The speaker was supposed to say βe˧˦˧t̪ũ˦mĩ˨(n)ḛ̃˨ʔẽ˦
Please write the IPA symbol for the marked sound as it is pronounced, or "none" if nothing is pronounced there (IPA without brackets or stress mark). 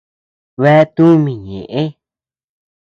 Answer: ɲ